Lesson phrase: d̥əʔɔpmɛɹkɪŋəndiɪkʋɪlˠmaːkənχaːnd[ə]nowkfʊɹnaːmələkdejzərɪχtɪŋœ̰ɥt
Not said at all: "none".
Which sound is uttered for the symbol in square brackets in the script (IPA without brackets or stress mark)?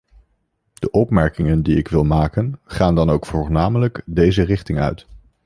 ɑ